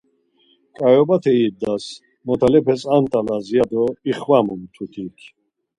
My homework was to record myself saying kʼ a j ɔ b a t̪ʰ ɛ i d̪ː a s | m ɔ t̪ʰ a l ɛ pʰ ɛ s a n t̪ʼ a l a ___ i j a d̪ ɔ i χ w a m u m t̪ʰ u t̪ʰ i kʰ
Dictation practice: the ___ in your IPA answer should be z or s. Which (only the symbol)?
z